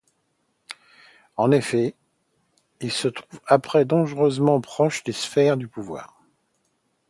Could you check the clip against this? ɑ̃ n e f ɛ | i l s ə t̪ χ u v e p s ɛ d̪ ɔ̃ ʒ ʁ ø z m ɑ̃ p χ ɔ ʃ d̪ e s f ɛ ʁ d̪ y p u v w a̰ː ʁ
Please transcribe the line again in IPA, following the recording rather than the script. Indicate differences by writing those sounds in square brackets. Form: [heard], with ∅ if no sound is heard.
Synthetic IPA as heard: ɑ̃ n e f ɛ | i l s ə t̪ χ u v [a] p [χ] ɛ d̪ ɔ̃ ʒ ʁ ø z m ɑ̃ p χ ɔ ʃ d̪ e s f ɛ ʁ d̪ y p u v w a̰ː ʁ